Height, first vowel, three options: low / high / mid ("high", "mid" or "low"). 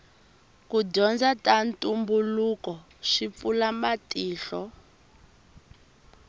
high